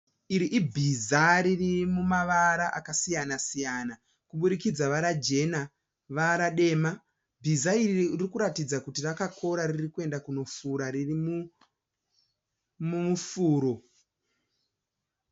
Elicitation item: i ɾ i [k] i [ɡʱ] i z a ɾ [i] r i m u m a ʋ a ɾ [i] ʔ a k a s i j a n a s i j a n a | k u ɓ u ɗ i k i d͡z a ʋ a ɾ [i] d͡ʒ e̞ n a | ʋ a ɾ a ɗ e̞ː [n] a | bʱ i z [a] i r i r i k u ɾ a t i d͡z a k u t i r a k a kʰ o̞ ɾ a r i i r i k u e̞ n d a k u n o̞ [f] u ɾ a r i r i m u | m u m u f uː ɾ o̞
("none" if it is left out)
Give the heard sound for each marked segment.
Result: ʔ, bʱ, i, a, a, m, a, f

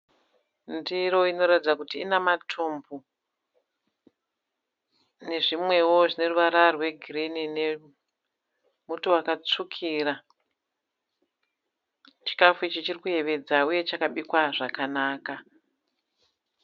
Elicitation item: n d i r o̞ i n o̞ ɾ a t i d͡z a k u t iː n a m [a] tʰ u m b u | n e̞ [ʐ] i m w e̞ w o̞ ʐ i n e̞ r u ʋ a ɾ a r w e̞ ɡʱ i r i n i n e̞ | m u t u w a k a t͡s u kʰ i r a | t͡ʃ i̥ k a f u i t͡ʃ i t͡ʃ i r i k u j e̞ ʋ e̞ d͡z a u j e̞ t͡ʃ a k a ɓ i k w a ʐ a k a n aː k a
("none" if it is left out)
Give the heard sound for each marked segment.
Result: a, ʐ

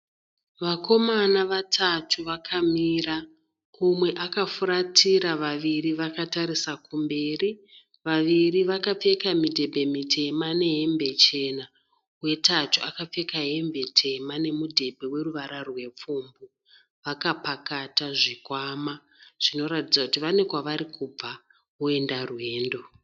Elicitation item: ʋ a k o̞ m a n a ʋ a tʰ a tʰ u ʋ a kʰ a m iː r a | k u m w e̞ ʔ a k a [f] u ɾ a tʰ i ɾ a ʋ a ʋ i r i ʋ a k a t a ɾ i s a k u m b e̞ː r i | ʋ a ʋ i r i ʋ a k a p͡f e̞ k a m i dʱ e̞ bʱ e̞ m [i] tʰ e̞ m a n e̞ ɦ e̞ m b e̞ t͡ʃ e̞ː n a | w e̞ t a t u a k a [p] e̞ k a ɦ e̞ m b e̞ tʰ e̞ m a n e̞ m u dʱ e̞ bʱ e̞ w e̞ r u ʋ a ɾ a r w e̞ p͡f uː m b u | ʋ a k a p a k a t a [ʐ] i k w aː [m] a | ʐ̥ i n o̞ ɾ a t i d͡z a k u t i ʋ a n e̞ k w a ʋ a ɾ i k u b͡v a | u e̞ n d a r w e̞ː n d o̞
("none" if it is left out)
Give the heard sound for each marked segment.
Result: f, i, p͡f, ʐ, m

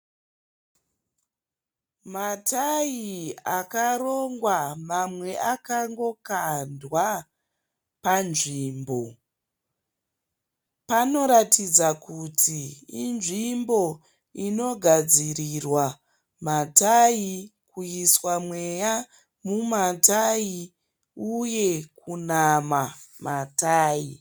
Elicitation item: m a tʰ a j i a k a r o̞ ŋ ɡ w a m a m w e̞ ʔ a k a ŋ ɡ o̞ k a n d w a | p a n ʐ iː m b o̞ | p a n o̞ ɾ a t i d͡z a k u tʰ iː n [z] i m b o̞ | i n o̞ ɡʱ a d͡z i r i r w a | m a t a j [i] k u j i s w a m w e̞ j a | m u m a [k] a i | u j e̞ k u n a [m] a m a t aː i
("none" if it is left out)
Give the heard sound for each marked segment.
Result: ʐ, i, t, m

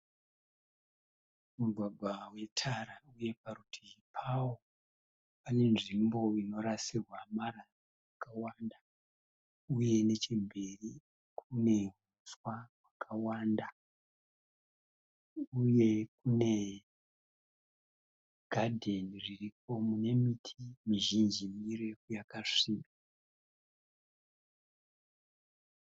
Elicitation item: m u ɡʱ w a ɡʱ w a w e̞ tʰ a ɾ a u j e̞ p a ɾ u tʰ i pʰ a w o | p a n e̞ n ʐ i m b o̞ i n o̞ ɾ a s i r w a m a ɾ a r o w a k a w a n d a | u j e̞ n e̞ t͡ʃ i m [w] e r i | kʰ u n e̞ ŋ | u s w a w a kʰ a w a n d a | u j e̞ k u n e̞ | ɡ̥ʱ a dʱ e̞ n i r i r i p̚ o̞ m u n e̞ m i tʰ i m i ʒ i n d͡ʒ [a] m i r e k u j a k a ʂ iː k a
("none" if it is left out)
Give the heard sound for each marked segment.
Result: b, i

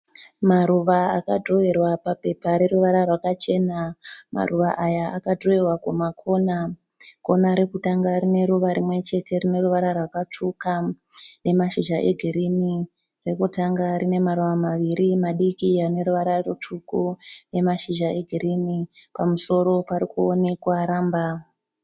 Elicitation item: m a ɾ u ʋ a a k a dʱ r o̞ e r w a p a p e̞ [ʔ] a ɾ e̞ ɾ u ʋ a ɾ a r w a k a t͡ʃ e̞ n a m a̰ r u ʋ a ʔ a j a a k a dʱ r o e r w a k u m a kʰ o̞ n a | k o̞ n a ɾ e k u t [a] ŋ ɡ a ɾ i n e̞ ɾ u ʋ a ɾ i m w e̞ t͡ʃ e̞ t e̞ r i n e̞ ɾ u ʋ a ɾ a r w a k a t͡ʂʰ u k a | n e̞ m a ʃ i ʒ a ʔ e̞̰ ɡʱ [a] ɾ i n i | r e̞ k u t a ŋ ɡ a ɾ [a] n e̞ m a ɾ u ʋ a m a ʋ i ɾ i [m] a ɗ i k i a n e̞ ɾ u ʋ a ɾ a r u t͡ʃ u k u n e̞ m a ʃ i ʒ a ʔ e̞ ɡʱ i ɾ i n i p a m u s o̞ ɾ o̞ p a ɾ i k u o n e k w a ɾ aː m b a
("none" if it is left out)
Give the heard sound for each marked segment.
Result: p, a, i, i, m

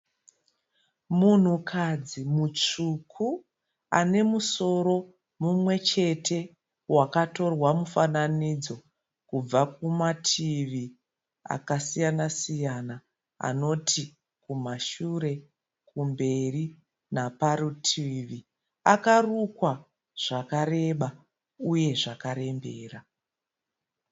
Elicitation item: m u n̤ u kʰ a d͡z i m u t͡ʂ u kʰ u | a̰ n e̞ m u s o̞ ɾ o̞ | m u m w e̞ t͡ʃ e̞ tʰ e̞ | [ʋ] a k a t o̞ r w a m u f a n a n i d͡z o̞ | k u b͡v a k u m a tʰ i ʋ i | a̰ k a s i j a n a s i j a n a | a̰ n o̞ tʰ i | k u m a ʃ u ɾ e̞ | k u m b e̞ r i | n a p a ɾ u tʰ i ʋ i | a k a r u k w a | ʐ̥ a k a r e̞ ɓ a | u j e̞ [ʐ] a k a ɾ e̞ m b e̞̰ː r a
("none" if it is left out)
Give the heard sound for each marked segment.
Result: w, ʐ

